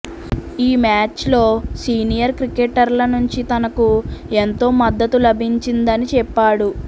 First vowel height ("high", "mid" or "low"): high